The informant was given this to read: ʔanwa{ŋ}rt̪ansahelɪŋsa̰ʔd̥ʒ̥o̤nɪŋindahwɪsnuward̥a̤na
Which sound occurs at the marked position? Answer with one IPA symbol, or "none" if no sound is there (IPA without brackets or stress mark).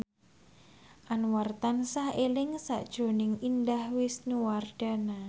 none